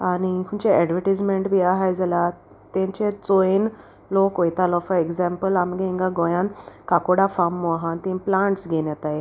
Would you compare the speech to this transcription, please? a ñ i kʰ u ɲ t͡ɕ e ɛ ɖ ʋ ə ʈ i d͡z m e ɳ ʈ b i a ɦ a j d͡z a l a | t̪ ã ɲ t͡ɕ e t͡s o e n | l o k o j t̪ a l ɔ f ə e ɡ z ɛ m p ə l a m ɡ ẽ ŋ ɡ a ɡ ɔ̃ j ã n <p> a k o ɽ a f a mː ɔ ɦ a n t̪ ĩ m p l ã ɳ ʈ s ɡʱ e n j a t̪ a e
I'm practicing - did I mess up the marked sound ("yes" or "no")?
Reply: yes